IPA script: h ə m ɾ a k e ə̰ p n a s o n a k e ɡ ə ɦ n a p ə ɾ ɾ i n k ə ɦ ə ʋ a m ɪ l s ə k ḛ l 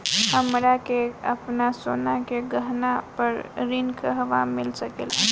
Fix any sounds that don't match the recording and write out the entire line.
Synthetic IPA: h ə m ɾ a k e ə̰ p n a s o n a k e ɡ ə ɦ n a p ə ɾ ɾ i n k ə ɦ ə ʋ a m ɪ l s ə k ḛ l